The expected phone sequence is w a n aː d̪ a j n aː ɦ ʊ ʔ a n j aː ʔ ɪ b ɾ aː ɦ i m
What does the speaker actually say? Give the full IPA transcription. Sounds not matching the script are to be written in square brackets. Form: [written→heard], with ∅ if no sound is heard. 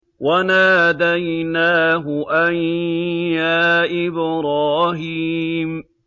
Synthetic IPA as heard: w a n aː d̪ a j n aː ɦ ʊ ʔ a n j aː ʔ ɪ b ɾ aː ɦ i m